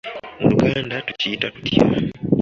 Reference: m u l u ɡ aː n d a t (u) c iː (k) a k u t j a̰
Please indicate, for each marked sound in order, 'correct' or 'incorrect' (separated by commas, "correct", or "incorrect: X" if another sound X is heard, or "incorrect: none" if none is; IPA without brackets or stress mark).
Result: correct, incorrect: t